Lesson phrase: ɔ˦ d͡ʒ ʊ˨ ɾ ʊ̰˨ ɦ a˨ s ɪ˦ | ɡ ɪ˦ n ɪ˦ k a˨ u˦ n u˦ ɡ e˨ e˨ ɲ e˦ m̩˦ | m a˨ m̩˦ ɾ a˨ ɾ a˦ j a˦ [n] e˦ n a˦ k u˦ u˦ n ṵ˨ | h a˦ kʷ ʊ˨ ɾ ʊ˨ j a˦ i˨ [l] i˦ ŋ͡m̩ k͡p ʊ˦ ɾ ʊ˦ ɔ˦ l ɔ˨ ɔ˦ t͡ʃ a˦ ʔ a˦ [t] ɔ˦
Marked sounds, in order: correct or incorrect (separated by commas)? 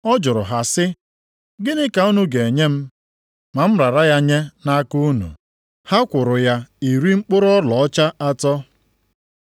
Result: incorrect, incorrect, correct